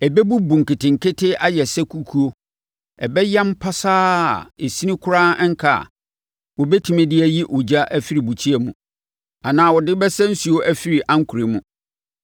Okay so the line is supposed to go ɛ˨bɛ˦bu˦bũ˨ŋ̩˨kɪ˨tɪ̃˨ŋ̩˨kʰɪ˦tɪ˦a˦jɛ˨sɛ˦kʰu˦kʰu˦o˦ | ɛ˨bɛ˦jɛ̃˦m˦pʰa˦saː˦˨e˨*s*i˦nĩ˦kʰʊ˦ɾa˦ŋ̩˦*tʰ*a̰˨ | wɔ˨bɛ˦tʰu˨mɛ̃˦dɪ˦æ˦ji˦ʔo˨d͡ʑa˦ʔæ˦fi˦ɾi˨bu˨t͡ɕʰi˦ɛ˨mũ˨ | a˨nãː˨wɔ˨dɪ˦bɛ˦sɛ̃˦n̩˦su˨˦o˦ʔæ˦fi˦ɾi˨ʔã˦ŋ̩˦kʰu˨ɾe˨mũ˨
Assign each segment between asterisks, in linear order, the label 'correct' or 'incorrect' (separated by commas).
correct, incorrect